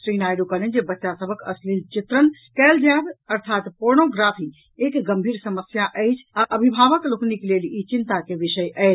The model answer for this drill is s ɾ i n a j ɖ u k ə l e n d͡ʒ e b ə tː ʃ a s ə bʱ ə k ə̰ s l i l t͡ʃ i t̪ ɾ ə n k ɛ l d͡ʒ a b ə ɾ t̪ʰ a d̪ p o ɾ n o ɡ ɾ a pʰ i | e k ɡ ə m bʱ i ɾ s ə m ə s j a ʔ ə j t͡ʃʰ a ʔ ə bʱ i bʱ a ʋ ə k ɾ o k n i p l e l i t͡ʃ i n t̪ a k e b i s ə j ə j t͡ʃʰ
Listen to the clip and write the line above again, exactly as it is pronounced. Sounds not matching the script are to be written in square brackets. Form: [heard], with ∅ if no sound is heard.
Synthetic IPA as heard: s ɾ i n a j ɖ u k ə l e n d͡ʒ e b ə tː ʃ a s ə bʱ ə k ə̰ s l i l t͡ʃ i t̪ ɾ ə n k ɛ l d͡ʒ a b ə ɾ t̪ʰ a [t̪] p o ɾ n o ɡ ɾ a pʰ i | e k ɡ ə m bʱ i ɾ s ə m ə s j a ʔ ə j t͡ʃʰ a ʔ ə bʱ i bʱ a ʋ ə k [l] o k n i [k] l e l i t͡ʃ i n t̪ a k e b i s ə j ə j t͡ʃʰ